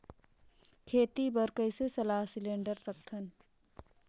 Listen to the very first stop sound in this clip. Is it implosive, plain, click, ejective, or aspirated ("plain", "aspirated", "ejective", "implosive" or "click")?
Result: aspirated